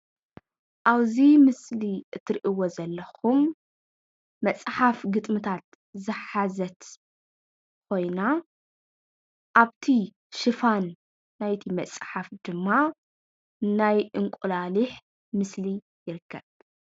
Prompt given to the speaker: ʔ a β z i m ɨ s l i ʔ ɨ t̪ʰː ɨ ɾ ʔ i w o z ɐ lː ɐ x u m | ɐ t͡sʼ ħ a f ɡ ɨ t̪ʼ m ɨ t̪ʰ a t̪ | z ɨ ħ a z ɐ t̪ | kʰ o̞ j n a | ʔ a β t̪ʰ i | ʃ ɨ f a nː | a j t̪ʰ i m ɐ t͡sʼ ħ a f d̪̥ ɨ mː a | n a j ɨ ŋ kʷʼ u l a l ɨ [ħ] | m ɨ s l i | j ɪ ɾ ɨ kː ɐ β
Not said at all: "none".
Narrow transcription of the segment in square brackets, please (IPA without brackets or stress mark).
ħ